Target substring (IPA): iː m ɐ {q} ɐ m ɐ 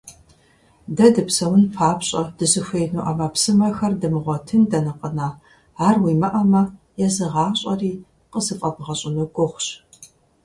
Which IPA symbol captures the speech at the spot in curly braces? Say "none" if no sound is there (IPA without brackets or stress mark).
ʔ